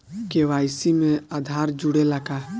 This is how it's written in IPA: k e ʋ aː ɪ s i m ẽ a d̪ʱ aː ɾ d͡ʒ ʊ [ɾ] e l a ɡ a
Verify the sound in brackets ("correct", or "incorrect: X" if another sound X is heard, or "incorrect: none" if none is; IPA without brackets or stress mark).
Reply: incorrect: ɽ